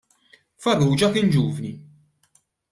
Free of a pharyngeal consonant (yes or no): yes